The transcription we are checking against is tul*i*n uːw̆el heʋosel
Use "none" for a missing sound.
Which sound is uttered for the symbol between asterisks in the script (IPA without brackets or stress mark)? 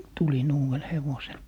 i